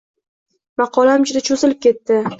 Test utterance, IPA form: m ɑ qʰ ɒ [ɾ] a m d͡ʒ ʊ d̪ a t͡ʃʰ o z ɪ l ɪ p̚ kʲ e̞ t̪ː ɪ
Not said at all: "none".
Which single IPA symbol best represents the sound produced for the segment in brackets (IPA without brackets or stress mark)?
l